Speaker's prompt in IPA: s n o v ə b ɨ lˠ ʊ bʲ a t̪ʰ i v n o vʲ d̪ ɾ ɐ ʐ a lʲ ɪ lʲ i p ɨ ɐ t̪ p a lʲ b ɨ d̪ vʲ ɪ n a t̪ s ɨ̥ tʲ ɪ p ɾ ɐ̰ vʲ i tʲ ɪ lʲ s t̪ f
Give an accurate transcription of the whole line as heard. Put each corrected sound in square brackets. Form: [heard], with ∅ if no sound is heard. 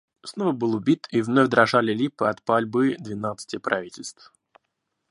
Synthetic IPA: s n o v ə b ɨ lˠ ʊ bʲ [i] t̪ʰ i v n o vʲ d̪ ɾ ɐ ʐ a lʲ ɪ lʲ i p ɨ ɐ t̪ p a lʲ b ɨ d̪ vʲ ɪ n a t̪ s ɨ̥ tʲ ɪ p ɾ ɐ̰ vʲ i tʲ ɪ lʲ s t̪ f